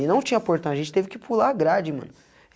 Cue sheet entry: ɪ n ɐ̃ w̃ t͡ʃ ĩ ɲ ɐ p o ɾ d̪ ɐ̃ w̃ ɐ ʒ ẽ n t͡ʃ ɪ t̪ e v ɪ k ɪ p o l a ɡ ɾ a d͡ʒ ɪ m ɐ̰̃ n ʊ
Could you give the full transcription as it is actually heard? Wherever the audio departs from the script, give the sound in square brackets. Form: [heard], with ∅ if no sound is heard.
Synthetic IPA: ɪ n ɐ̃ w̃ t͡ʃ ĩ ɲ ɐ p o ɾ [t̪] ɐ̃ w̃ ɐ ʒ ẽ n t͡ʃ ɪ t̪ e v ɪ k ɪ p [u] l a ɡ ɾ a d͡ʒ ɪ m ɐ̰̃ n ʊ